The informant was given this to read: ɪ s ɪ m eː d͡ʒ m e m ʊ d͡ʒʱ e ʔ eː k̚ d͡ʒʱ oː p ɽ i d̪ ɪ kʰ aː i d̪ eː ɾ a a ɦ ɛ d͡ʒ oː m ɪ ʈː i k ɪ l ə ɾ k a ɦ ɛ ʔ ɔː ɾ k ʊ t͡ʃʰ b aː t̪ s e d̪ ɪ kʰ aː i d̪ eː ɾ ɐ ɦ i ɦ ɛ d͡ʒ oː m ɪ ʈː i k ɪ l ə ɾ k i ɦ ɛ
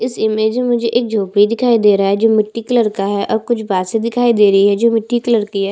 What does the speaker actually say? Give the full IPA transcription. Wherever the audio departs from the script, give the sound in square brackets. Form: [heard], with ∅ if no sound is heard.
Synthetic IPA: ɪ s ɪ m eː d͡ʒ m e m ʊ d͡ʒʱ e ʔ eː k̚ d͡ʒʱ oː p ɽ i d̪ ɪ kʰ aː i d̪ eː ɾ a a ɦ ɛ d͡ʒ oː m ɪ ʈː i k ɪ l ə ɾ k a ɦ ɛ ʔ ɔː ɾ k ʊ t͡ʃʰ b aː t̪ s e d̪ ɪ kʰ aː i d̪ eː ɾ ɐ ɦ i ɦ ɛ d͡ʒ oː m ɪ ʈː i k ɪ l ə ɾ k i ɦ ɛ

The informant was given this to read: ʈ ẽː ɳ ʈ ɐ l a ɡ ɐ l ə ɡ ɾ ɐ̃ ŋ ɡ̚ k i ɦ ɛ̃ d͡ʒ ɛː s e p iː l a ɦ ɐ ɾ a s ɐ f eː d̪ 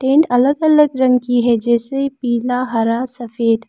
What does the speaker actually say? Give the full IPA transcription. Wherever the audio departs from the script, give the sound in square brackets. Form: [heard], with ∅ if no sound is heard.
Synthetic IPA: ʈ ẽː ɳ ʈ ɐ l [ə] ɡ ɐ l ə ɡ ɾ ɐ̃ ŋ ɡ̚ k i ɦ [ɛ] d͡ʒ ɛː s e p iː l a ɦ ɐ ɾ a s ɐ f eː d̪

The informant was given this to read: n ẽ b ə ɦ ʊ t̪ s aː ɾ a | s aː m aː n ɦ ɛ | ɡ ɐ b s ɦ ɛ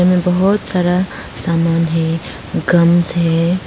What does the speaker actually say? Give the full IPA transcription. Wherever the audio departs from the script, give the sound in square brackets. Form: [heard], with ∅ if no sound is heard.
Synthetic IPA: [m] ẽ b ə ɦ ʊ t̪ s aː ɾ a | s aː m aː n ɦ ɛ | ɡ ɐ [m] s ɦ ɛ

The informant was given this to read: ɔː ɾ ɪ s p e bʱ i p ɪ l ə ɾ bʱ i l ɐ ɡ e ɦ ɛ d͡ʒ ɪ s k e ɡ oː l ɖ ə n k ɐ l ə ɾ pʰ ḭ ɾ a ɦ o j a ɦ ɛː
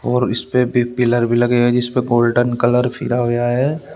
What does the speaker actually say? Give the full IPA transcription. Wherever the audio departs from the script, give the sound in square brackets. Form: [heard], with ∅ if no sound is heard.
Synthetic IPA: ɔː ɾ ɪ s p e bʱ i p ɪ l ə ɾ bʱ i l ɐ ɡ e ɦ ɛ d͡ʒ ɪ s [p] e ɡ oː l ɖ ə n k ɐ l ə ɾ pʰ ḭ ɾ a ɦ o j a ɦ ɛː

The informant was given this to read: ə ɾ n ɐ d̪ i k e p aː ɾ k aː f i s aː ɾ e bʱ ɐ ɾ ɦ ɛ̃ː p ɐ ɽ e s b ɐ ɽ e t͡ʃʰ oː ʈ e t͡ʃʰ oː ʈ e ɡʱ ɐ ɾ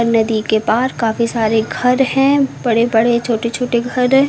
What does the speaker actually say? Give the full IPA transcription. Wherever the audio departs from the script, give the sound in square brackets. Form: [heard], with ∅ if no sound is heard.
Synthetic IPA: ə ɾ n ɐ d̪ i k e p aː ɾ k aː f i s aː ɾ e [ɡʱ] ɐ ɾ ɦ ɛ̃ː [b] ɐ ɽ e [∅] b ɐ ɽ e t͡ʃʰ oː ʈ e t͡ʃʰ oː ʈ e ɡʱ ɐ ɾ

